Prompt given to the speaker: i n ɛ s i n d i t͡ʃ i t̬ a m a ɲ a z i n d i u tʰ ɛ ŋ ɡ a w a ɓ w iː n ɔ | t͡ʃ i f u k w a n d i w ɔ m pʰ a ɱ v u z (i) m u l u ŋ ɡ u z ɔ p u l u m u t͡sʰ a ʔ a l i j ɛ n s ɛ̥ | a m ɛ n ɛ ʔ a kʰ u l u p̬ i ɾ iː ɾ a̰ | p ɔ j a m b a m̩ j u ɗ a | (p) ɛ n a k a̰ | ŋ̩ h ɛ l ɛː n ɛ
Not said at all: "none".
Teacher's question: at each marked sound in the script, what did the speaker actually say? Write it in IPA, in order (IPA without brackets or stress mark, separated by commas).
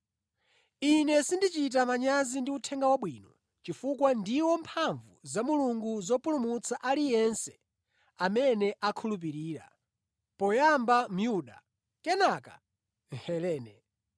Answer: a, k